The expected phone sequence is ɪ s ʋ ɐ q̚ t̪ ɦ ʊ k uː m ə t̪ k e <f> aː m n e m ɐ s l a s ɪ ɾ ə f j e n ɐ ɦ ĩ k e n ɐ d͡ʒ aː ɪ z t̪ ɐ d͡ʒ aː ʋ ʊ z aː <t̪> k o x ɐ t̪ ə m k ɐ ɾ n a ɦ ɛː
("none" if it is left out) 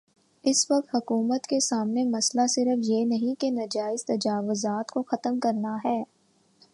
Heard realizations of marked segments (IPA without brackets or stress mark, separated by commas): s, t̪